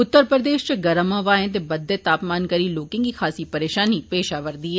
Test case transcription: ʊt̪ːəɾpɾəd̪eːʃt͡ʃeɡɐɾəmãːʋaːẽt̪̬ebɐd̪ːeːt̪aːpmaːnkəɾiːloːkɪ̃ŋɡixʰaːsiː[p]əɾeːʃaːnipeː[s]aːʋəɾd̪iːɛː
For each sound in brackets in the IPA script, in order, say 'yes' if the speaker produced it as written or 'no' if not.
yes, no

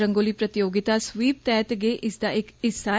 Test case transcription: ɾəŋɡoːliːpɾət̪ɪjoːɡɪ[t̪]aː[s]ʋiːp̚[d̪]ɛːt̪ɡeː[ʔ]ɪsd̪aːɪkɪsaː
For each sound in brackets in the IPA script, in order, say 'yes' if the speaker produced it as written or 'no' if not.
yes, yes, no, yes

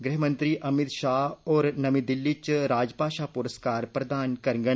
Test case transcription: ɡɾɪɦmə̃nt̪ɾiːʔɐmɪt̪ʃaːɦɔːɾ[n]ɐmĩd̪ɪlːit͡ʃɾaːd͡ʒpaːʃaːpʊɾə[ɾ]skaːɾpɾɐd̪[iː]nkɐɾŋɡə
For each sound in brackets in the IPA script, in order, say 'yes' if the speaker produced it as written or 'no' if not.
yes, no, no

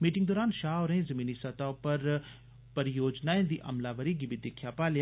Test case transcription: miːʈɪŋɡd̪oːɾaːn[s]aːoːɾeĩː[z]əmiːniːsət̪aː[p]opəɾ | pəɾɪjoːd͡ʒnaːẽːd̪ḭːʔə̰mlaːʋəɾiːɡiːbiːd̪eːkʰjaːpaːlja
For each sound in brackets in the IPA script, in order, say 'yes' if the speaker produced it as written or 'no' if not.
no, yes, no

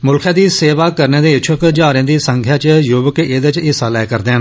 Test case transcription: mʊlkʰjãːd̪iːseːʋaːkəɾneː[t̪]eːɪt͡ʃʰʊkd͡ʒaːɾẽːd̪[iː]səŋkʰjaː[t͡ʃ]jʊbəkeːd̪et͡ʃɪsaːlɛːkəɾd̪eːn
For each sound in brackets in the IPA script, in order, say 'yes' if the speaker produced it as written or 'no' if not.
no, yes, yes

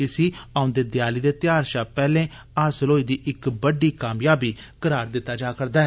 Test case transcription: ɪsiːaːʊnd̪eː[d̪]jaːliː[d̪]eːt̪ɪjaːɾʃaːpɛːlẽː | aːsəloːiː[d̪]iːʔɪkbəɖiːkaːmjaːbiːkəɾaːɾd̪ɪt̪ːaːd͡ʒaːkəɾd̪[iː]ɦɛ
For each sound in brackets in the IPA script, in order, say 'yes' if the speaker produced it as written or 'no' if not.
yes, yes, yes, no

